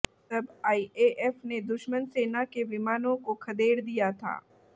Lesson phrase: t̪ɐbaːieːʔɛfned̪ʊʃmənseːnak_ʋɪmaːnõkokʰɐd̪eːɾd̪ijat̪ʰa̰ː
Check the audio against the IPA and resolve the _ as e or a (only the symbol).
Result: e